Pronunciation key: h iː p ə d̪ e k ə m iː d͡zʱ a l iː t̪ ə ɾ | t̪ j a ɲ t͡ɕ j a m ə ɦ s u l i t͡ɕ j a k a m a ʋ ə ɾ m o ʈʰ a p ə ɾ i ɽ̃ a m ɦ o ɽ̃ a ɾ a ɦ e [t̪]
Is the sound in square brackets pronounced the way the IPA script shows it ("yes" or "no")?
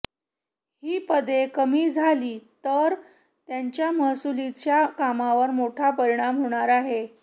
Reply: no